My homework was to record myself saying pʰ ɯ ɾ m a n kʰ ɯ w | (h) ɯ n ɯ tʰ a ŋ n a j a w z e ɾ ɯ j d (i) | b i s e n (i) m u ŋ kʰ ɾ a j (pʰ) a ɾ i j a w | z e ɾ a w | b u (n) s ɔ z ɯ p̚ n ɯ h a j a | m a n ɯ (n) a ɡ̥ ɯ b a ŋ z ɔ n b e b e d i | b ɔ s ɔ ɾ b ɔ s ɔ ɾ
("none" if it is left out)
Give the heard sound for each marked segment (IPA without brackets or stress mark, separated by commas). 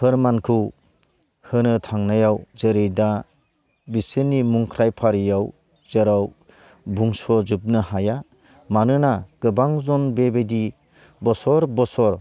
h, a, i, pʰ, ŋ, n